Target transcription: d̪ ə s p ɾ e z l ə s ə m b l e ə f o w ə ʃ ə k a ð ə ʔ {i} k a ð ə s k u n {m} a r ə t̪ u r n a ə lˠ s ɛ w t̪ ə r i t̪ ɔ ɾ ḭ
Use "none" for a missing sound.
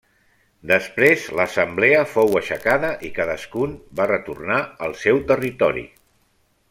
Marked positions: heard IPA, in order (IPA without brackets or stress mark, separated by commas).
i, b